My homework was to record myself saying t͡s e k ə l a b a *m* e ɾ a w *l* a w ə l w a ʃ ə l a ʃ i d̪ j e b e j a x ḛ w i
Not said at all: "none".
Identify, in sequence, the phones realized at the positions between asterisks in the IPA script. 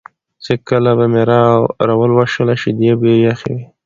m, ɾ

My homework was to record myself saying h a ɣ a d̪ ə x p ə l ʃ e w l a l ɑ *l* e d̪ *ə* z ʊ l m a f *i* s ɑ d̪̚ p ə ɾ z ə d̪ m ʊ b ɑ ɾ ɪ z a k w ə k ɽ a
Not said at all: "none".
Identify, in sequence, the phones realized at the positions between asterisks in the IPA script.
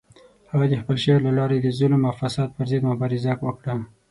ɾ, ə, a

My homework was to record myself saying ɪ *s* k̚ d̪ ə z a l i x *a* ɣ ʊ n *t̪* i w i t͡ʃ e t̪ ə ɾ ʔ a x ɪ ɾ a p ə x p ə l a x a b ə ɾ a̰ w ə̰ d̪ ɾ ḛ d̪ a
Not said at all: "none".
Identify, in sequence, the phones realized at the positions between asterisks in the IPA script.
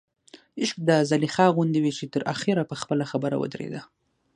ʃ, ɑ, d̪

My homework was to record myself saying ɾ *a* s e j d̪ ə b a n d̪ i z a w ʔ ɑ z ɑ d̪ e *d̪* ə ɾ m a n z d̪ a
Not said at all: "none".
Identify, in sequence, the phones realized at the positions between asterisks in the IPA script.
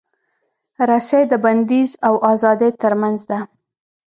a, t̪

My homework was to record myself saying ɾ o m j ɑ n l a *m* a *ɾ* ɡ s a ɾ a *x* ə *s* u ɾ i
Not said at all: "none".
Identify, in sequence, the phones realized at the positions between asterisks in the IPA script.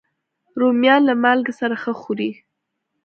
m, l, x, x

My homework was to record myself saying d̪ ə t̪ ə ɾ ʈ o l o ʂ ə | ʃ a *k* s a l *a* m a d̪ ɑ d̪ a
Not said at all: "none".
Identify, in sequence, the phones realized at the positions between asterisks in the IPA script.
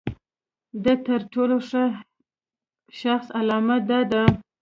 x, ɑ

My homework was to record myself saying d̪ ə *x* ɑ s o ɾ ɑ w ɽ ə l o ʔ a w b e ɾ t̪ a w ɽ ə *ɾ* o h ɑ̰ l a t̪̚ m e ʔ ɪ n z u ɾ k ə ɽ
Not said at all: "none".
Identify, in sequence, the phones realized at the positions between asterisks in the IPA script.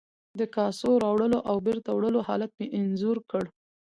k, l

